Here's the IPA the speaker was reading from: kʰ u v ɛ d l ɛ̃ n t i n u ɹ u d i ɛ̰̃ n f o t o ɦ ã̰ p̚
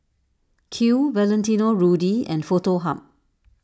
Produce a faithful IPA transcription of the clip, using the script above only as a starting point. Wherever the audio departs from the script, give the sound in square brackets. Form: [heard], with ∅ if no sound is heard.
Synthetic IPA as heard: kʰ u v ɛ [∅] l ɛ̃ n t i n [o] ɹ u d i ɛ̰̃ n f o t o ɦ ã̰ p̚

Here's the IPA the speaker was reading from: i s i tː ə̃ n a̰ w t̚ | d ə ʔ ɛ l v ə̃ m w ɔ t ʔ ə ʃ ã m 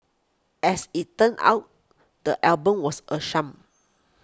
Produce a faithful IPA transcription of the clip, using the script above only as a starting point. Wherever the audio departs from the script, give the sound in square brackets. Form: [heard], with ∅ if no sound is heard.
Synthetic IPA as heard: [ɛ] s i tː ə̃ n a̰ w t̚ | d ə ʔ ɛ l [b] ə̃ m w ɔ [s] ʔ ə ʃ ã m

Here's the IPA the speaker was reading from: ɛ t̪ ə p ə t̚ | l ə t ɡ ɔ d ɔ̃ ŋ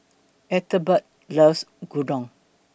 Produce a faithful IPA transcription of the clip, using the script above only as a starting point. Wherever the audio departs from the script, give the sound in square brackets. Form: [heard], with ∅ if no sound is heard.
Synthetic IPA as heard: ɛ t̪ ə [b] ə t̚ | l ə [s] ɡ [u] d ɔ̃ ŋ

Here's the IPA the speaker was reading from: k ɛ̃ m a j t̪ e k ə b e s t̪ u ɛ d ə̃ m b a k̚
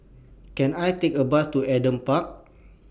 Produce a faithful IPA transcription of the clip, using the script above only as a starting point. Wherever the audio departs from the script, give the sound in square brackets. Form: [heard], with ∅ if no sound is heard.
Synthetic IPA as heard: k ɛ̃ [n] a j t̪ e k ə b [a] s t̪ u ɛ d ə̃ m [p] a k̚

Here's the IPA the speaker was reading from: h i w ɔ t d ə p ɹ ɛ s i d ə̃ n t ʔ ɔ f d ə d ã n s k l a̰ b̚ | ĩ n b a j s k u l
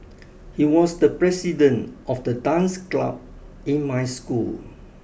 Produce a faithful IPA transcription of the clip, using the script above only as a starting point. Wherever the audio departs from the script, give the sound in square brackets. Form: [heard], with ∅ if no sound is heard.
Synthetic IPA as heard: h i w ɔ [s] d ə p ɹ ɛ s i d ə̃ n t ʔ ɔ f d ə d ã n s k l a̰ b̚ | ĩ n [m] a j s k u l

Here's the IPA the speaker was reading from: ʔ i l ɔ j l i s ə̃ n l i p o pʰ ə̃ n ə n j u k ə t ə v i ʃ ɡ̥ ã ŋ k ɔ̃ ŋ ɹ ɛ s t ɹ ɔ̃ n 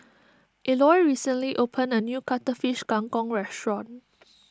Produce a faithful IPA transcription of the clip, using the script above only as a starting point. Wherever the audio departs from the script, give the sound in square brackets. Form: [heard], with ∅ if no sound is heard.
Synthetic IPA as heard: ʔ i l ɔ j [ɹ] i s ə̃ n l i [ʔ] o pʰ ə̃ n ə n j u k [a] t ə [f] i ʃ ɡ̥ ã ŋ k ɔ̃ ŋ ɹ ɛ s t ɹ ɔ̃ n

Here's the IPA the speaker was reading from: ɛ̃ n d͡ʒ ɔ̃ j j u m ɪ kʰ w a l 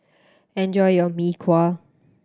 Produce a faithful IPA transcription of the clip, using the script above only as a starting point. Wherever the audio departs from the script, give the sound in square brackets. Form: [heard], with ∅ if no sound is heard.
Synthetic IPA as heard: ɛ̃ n d͡ʒ [ɔ] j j [ɔ] m [i] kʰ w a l

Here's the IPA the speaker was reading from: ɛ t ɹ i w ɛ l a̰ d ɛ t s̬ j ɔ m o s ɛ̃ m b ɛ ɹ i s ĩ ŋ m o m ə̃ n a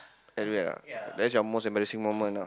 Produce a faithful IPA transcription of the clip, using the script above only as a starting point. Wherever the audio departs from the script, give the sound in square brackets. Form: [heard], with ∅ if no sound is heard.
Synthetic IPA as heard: ɛ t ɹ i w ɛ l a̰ d ɛ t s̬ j ɔ m o s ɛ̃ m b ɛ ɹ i s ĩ ŋ m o m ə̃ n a

